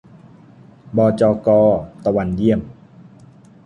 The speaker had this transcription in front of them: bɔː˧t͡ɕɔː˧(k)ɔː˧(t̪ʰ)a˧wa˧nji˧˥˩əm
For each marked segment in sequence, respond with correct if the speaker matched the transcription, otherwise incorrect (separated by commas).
correct, incorrect